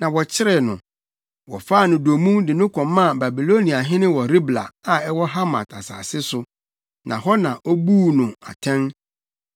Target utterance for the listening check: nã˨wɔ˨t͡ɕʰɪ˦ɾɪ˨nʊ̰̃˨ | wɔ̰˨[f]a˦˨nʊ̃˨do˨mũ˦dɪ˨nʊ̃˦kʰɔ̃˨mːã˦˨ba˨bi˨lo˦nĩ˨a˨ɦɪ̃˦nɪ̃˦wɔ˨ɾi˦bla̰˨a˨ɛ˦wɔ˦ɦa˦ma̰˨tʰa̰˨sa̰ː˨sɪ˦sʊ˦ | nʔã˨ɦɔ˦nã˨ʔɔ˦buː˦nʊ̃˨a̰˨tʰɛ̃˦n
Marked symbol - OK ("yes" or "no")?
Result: yes